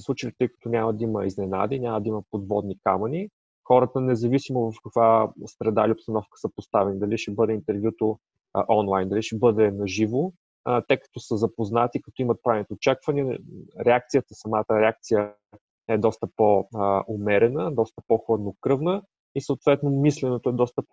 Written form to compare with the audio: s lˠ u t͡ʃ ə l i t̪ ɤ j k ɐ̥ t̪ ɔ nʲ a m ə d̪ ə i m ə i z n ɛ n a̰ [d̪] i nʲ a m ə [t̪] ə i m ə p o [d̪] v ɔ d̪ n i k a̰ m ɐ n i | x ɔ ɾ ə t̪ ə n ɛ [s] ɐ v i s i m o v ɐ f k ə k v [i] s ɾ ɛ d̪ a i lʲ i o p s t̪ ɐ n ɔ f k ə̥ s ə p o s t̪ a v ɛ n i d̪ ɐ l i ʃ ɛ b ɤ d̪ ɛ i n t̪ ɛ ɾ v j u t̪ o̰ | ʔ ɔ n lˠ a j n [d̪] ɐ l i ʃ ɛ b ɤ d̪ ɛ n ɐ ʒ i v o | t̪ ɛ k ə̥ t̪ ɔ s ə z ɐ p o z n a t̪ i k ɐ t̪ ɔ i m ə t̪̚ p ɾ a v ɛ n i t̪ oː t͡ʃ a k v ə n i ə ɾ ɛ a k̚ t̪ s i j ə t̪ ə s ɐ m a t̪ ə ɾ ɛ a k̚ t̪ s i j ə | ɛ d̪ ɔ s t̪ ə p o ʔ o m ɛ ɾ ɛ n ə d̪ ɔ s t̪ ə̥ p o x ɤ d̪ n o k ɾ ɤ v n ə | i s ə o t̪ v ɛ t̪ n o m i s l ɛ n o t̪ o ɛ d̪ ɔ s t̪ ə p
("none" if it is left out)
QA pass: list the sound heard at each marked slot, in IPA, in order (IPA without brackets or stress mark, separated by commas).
d̪, d̪, d̪, z, a, d̪